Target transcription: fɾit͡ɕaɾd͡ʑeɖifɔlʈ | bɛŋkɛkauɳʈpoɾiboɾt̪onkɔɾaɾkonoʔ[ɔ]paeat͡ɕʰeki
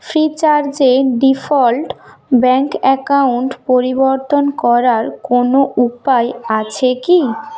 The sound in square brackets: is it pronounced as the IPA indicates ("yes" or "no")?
no